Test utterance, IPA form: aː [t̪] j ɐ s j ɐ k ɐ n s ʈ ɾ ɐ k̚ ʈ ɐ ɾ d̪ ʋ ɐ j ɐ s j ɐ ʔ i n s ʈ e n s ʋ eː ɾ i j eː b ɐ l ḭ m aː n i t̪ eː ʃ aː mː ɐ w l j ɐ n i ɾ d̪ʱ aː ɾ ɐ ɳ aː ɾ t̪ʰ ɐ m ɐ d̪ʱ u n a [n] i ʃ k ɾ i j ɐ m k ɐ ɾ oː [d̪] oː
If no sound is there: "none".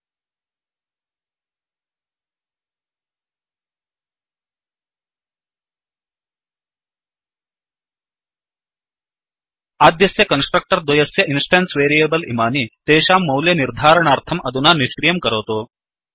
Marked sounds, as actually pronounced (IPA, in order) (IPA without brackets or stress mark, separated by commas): d̪, n, t̪